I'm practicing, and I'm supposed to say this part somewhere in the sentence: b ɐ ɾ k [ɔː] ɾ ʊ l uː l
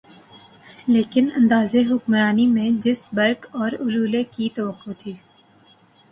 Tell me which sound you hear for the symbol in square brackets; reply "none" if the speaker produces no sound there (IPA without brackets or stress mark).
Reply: ɔː